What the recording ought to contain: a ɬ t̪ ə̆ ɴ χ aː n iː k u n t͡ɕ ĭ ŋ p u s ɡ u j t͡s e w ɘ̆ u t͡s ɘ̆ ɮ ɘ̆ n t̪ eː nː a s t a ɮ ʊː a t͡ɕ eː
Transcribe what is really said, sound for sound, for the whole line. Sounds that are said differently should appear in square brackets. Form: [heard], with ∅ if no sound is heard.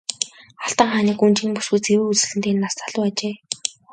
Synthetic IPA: a ɬ t̪ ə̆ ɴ χ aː n iː k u n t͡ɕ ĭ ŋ p u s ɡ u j t͡s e w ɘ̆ u t͡s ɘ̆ ɮ ɘ̆ n t̪ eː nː a s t a ɮ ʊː a t͡ɕ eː